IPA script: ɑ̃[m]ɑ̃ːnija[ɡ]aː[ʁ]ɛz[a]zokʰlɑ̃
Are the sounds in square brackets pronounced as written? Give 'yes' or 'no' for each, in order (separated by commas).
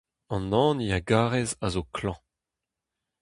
no, yes, yes, yes